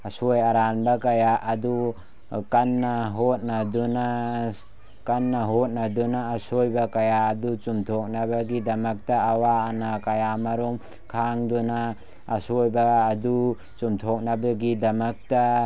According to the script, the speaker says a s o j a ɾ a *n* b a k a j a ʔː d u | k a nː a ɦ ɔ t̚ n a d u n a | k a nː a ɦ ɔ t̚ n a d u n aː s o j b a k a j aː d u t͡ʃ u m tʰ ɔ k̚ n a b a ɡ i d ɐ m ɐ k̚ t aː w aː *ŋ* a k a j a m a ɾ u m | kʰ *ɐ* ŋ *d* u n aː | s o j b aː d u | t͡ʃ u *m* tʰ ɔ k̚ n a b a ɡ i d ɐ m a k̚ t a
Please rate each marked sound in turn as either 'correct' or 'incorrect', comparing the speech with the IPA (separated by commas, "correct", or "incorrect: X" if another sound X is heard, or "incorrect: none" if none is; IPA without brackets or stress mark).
correct, incorrect: n, incorrect: a, correct, correct